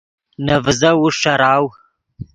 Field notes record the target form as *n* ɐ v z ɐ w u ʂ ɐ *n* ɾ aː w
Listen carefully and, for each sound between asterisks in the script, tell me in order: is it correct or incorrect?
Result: correct, incorrect

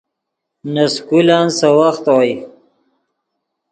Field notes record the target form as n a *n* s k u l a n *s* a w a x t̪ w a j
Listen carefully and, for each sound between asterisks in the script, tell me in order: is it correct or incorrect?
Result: incorrect, correct

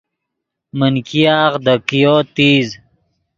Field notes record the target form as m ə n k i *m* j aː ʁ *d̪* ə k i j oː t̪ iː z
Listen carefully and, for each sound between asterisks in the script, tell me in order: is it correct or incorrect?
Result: incorrect, correct

